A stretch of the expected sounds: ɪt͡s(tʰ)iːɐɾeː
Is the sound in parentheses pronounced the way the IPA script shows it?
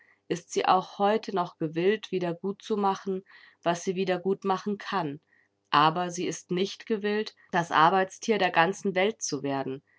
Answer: yes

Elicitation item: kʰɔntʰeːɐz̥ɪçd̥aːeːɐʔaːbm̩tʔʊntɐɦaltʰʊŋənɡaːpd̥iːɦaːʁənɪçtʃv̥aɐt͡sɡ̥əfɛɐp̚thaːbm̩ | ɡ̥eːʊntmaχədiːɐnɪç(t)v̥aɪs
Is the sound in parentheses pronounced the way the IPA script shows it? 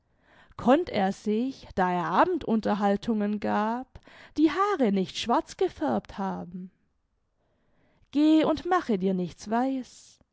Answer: no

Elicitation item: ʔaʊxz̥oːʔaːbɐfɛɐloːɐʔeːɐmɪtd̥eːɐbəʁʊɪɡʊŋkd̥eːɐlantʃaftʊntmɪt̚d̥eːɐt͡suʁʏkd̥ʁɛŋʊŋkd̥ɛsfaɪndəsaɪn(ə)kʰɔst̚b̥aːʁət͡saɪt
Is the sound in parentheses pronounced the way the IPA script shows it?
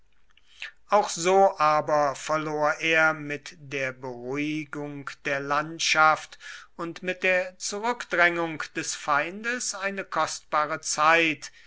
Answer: yes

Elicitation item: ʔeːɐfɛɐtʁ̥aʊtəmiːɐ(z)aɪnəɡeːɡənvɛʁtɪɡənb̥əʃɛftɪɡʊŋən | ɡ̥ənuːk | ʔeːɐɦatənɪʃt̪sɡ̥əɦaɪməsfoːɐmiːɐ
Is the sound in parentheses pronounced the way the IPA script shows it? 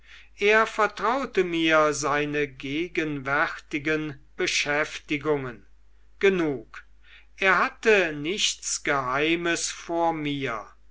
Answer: yes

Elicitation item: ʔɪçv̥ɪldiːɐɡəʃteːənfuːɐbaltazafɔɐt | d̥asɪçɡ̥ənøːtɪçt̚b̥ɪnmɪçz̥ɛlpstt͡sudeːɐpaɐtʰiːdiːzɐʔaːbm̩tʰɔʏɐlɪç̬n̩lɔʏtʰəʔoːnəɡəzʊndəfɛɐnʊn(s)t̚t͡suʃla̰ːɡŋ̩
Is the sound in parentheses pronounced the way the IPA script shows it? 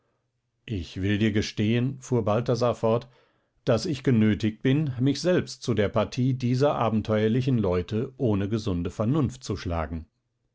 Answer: no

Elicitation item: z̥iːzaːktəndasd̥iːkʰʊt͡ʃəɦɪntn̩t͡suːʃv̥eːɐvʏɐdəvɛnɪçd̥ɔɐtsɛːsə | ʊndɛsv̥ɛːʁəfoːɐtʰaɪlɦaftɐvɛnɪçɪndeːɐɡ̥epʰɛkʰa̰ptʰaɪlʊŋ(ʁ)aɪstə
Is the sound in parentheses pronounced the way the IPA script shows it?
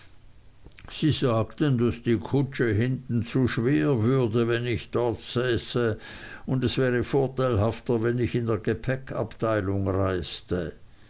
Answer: yes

